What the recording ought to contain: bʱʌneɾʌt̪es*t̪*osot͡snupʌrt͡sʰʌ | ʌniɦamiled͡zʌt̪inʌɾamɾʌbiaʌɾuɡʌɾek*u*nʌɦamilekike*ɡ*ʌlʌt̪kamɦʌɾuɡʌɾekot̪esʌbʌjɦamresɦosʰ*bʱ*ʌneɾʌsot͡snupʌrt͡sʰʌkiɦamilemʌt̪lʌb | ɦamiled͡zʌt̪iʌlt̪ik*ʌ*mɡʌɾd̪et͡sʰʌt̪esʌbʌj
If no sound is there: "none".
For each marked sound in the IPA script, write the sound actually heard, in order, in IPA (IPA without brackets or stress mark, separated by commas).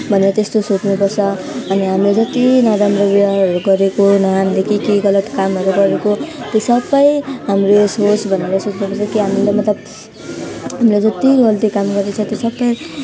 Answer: t̪, o, ɡ, bʱ, a